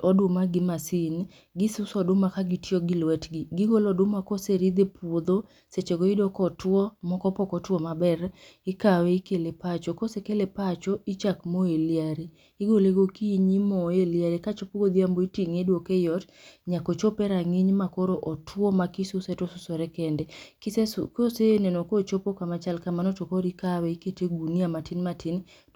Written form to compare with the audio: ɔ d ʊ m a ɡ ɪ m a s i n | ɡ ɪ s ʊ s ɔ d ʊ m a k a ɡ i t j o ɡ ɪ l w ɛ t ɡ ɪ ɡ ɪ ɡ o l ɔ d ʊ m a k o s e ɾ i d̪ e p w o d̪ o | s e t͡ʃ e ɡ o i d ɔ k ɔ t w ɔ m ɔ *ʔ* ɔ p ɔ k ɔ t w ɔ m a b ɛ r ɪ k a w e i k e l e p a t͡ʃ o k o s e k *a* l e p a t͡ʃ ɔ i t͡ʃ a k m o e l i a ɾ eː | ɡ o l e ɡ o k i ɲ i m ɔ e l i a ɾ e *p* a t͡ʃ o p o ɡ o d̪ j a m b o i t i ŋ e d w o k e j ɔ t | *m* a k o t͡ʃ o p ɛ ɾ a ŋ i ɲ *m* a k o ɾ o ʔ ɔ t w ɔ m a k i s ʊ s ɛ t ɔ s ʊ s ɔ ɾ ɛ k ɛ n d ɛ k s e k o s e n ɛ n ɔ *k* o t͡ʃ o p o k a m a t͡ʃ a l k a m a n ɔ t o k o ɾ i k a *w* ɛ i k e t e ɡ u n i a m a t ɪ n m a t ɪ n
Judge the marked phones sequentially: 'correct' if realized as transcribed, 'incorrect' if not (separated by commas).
incorrect, incorrect, incorrect, incorrect, correct, correct, correct